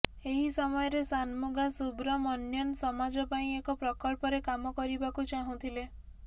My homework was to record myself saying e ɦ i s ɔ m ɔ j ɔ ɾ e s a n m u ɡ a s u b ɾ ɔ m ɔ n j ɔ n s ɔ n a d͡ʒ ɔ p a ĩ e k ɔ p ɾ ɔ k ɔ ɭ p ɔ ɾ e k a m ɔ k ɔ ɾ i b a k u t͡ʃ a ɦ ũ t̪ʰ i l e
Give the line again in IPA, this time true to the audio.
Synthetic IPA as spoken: e ɦ i s ɔ m ɔ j ɔ ɾ e s a n m u ɡ a s u b ɾ ɔ m ɔ n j ɔ n s ɔ m a d͡ʒ ɔ p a ĩ e k ɔ p ɾ ɔ k ɔ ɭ p ɔ ɾ e k a m ɔ k ɔ ɾ i b a k u t͡ʃ a ɦ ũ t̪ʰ i l e